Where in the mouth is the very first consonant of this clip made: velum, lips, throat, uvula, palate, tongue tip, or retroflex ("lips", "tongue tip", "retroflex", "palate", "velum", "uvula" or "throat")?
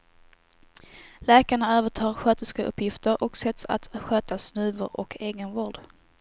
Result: tongue tip